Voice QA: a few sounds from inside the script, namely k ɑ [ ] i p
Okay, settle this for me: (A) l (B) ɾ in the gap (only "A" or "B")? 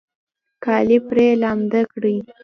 A